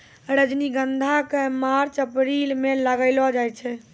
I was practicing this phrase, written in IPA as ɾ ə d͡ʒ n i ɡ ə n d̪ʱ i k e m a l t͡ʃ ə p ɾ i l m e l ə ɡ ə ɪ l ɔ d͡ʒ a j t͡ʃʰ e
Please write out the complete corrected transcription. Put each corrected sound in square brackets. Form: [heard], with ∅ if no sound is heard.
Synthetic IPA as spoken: ɾ ə d͡ʒ n i ɡ ə n d̪ʱ [a] k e m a [ɾ] t͡ʃ ə p ɾ i l m e l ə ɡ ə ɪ l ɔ d͡ʒ a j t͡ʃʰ [ɛ]